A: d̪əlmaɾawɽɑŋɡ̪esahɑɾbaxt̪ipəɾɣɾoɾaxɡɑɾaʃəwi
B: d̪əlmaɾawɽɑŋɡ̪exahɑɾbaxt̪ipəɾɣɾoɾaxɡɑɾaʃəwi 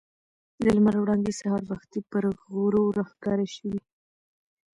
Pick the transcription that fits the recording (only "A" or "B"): A